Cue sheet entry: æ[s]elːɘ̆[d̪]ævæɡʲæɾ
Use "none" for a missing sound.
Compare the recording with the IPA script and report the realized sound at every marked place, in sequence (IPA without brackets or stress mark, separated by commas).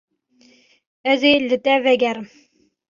z, t̪